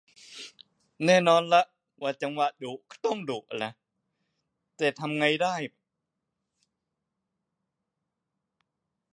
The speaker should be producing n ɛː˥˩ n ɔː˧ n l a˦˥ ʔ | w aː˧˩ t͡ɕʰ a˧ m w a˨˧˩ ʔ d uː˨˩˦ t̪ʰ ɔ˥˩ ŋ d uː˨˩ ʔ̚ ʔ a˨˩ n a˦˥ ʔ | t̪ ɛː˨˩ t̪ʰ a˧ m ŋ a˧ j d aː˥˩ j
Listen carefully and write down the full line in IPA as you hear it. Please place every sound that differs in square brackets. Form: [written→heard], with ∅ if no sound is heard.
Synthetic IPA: n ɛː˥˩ n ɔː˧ n l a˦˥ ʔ | w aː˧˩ [t͡ɕʰ→t͡ɕ] a˧ [m→ŋ] w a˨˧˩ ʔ d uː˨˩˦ [t̪ʰ→t̪] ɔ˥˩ ŋ d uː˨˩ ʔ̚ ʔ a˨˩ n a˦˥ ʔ | t̪ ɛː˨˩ t̪ʰ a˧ m ŋ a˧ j d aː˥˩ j

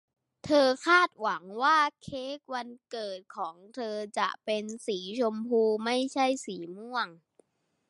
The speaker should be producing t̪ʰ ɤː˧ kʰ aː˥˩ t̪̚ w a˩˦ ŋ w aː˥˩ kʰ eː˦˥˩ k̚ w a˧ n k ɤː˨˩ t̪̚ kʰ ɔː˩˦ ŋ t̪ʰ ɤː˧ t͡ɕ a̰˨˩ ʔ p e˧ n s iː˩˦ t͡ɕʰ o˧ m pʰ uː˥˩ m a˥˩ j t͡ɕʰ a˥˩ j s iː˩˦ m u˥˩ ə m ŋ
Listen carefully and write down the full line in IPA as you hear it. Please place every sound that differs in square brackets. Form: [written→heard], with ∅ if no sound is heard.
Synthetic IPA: t̪ʰ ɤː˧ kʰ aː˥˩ t̪̚ w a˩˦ ŋ w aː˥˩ kʰ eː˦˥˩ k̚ w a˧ n k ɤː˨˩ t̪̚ kʰ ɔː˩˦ ŋ t̪ʰ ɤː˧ t͡ɕ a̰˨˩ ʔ p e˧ n s iː˩˦ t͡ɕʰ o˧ m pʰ [uː˥˩→uː˧] m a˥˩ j t͡ɕʰ a˥˩ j s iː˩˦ m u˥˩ ə [m→∅] ŋ

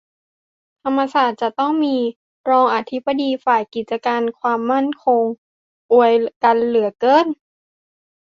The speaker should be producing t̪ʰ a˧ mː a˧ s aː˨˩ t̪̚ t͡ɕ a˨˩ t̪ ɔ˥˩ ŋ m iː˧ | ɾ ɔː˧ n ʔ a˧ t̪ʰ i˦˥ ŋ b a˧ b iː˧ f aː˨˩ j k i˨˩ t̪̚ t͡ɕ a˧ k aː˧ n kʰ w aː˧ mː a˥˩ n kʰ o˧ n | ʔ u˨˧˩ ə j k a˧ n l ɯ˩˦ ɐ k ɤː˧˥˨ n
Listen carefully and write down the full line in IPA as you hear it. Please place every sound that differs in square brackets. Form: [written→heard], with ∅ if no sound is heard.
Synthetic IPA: t̪ʰ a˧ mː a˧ s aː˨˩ t̪̚ t͡ɕ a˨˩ t̪ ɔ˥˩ ŋ m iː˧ | ɾ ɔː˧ [n→ŋ] ʔ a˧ t̪ʰ i˦˥ [ŋ→∅] b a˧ [b→d] iː˧ f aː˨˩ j k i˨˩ t̪̚ t͡ɕ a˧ k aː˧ n kʰ w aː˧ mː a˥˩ n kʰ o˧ [n→ŋ] | ʔ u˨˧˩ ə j k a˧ n l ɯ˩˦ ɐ k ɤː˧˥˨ n

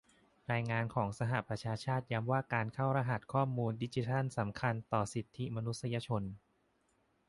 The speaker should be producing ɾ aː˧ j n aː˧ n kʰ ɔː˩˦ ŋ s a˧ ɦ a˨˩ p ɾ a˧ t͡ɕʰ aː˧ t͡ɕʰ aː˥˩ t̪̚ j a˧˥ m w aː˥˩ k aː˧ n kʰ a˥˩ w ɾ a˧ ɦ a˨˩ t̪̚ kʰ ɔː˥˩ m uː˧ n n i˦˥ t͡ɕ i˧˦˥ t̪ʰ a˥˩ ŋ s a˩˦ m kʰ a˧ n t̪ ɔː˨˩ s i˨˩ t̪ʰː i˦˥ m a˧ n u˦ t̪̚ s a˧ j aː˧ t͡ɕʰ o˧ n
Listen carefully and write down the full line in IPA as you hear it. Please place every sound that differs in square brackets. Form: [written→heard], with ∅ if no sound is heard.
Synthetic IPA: ɾ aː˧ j [n→ŋ] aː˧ n kʰ ɔː˩˦ ŋ s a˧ ɦ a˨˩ p ɾ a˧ t͡ɕʰ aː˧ t͡ɕʰ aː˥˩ t̪̚ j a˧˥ m w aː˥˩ k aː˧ n kʰ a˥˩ w ɾ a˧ ɦ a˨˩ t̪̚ kʰ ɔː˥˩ m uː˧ n [n→d] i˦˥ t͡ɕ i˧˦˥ t̪ʰ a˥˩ [ŋ→n] s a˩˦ m kʰ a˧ n t̪ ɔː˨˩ s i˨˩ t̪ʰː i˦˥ m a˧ n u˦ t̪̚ s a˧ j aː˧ t͡ɕʰ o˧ n

